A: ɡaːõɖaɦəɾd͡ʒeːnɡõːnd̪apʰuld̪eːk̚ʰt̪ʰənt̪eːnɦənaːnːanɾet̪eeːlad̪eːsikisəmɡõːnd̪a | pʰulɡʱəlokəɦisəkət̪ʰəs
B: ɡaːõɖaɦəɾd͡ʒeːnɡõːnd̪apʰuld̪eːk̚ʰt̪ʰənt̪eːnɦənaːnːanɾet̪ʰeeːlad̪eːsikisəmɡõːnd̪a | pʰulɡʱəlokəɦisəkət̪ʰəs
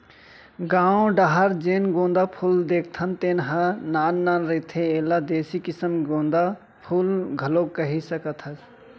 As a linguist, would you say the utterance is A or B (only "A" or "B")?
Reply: B